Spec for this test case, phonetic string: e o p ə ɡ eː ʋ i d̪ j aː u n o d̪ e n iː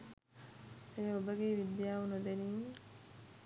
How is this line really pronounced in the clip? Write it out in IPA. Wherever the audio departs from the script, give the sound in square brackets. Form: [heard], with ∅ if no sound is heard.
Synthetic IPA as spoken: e o [b] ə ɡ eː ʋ i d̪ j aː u n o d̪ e n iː